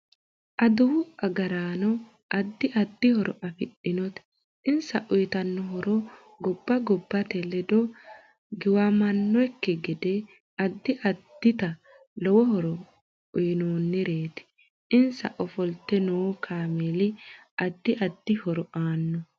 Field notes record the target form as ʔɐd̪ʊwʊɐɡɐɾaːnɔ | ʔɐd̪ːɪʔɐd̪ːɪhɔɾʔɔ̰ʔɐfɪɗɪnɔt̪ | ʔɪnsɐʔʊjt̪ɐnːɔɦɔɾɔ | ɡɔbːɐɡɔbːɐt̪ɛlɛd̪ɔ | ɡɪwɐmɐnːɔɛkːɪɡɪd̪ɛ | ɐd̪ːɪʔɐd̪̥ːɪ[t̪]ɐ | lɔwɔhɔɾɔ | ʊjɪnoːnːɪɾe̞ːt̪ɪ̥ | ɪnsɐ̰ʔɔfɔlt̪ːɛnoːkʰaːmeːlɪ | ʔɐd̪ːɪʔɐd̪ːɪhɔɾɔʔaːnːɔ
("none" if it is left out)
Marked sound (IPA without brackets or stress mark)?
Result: t̪